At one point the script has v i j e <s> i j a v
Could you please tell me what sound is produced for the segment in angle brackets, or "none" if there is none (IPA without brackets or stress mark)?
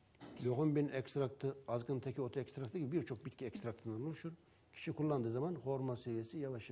s